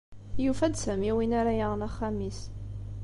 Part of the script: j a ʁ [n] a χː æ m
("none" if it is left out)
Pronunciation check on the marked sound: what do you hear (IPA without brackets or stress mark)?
n